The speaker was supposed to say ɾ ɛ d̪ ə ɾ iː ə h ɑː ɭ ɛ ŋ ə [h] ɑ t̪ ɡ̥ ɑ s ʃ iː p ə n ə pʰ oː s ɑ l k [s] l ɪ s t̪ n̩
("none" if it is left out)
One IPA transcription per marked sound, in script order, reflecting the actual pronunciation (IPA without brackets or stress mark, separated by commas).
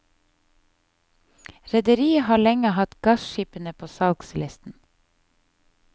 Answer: h, s